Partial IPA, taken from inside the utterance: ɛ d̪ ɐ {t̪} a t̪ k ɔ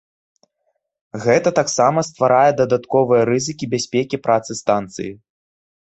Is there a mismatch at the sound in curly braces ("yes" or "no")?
yes